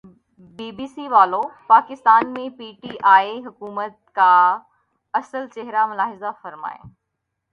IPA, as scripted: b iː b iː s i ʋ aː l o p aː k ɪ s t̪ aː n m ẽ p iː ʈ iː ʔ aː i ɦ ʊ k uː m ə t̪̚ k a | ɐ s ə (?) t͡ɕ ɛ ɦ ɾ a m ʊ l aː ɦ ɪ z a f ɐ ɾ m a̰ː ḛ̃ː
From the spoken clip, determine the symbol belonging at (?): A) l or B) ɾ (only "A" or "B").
A